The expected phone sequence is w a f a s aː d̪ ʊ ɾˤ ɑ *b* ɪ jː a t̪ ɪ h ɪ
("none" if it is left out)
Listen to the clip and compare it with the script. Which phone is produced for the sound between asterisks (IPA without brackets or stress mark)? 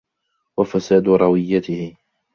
w